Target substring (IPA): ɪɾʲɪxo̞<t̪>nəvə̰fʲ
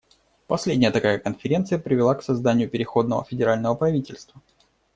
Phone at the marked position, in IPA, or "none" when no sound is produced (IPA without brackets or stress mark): d̪